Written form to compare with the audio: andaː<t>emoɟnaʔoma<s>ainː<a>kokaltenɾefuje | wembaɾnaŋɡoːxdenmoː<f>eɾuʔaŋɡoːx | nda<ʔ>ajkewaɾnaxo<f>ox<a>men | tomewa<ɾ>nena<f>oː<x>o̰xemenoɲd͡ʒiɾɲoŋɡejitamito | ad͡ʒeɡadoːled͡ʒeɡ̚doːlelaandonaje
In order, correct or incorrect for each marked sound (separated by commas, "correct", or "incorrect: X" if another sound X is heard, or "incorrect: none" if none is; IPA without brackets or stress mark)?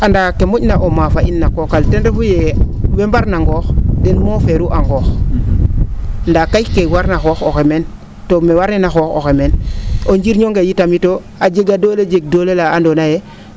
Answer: incorrect: k, incorrect: f, correct, correct, incorrect: k, incorrect: x, incorrect: e, correct, incorrect: x, correct